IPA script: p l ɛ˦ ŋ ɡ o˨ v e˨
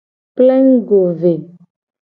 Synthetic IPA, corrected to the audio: p l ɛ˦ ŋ ɡ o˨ v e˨